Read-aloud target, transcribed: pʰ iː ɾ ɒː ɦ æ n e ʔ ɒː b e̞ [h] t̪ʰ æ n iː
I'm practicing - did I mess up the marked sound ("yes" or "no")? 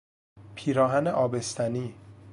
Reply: yes